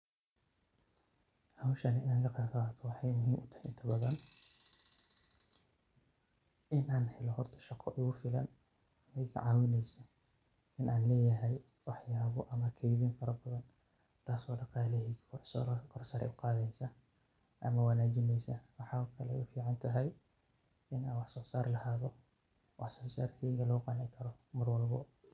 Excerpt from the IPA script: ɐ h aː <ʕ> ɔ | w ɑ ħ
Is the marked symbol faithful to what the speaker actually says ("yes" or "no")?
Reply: no